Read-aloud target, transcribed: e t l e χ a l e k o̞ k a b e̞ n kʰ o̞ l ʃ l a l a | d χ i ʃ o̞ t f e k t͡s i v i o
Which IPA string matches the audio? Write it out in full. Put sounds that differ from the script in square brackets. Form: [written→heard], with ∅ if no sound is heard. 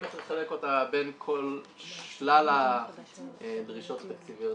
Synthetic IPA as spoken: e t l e χ a l e k o̞ [k→t] a b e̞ n kʰ o̞ l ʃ l a l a | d [χ→ʁ] i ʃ o̞ t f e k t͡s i v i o